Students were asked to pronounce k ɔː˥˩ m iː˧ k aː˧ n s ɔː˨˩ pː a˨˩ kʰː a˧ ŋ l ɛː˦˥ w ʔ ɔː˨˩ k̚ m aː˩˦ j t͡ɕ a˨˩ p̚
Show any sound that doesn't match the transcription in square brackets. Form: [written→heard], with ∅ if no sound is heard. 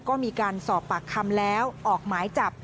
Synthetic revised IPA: k ɔː˥˩ m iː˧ k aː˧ n s ɔː˨˩ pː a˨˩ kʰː a˧ [ŋ→m] l ɛː˦˥ w ʔ ɔː˨˩ k̚ m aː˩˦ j t͡ɕ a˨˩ p̚